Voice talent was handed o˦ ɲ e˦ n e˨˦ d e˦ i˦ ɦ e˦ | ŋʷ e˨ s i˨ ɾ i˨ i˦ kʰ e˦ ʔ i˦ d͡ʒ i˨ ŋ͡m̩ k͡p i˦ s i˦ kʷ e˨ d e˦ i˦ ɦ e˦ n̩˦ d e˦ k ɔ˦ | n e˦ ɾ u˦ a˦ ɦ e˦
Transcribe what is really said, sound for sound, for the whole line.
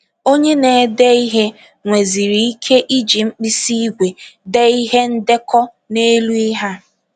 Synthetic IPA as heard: o˦ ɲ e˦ n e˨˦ d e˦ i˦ ɦ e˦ | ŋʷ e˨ z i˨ ɾ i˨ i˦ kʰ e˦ ʔ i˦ d͡ʒ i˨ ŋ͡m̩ k͡p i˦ s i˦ ɡʷ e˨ d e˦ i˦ ɦ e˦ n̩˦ d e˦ k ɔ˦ | n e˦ l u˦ i˦ ɦ a˦